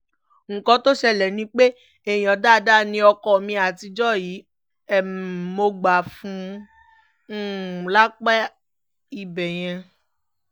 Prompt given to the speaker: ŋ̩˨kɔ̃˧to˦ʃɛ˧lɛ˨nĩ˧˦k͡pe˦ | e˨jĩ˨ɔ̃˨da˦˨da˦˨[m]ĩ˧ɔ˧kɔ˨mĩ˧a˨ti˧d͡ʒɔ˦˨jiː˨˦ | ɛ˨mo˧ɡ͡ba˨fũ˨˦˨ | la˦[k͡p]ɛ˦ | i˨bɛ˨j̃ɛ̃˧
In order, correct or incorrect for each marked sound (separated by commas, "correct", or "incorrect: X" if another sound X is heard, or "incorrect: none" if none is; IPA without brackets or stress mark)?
incorrect: n, correct